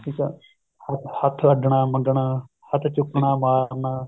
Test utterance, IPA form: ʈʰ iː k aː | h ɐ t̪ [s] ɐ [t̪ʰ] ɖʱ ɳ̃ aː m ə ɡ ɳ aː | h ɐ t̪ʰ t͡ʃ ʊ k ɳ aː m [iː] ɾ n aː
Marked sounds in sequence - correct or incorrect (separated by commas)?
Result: incorrect, correct, incorrect